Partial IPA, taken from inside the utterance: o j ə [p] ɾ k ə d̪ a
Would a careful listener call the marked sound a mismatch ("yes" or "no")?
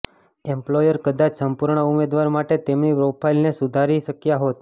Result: yes